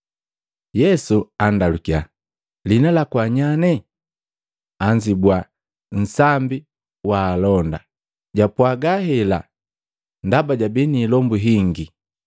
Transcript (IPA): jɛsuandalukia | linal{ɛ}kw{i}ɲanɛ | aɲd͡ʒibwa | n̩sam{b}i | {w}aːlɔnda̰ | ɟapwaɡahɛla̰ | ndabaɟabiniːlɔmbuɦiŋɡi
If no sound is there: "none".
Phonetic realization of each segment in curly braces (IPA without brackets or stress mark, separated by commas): a, a, b, w